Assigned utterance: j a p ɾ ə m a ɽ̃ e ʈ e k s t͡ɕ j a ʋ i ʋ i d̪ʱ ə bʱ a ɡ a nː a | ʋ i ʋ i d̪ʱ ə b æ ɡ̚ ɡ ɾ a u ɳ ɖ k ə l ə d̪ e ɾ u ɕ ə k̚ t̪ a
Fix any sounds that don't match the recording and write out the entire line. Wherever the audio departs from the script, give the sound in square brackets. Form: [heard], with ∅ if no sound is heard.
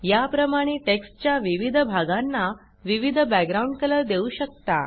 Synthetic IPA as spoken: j a p ɾ ə m a ɽ̃ e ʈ e k s t͡ɕ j a ʋ i ʋ i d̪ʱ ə bʱ a ɡ a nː a | ʋ i ʋ i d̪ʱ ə b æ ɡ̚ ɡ ɾ a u ɳ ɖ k ə l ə d̪ e [∅] u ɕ ə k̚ t̪ a